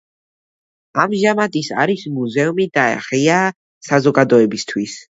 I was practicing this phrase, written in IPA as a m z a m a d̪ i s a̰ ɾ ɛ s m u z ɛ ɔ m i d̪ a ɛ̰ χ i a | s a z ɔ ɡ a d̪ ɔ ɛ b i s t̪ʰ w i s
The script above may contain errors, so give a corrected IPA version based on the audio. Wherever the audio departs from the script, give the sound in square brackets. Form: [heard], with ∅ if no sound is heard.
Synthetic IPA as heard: a m [ʒ] a m a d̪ i s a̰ ɾ [i] s m u z ɛ [u] m i d̪ a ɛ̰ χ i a | s a z ɔ ɡ a d̪ ɔ ɛ b i s t̪ʰ w i s